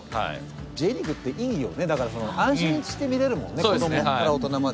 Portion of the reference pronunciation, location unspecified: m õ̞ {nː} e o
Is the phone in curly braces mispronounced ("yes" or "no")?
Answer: no